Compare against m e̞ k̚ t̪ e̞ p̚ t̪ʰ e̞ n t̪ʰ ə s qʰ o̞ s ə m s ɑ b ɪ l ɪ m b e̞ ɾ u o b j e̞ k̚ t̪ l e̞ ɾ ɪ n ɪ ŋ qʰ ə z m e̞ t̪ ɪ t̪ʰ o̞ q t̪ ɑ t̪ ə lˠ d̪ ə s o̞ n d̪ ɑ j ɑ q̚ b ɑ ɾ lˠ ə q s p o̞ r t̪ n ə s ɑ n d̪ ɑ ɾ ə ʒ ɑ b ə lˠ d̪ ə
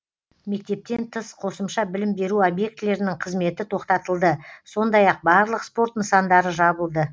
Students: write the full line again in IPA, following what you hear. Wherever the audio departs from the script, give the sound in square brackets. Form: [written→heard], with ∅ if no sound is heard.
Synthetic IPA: m e̞ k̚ t̪ e̞ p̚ [t̪ʰ→t̪] e̞ n t̪ʰ ə s qʰ o̞ s ə m [s→ʃ] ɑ b ɪ l ɪ m b e̞ ɾ u o b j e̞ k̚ t̪ l e̞ ɾ ɪ n ɪ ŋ qʰ ə z m e̞ t̪ ɪ t̪ʰ o̞ q t̪ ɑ t̪ ə lˠ d̪ ə s o̞ n d̪ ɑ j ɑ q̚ b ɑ ɾ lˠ ə q s p o̞ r t̪ n ə s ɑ n d̪ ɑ ɾ ə ʒ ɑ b ə lˠ d̪ ə